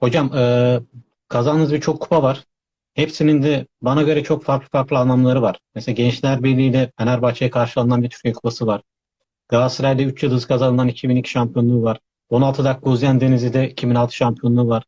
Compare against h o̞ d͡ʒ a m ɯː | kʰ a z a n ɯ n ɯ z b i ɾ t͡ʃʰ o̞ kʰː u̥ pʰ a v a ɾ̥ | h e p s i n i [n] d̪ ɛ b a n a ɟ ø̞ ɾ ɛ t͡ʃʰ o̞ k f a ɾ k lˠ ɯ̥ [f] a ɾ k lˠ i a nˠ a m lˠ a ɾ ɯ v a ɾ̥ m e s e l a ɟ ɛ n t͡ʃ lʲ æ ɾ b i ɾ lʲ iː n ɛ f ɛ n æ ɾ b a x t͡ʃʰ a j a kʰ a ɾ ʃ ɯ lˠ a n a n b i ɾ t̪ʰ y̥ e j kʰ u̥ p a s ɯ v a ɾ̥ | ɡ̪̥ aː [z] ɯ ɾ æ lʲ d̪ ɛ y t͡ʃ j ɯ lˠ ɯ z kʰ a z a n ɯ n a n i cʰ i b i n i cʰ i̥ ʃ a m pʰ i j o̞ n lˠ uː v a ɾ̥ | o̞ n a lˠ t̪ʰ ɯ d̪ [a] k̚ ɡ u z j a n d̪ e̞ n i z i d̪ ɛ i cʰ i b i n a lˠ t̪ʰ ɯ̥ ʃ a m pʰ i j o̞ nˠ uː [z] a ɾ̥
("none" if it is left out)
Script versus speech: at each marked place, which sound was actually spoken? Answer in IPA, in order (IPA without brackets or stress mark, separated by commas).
n, f, s, a, v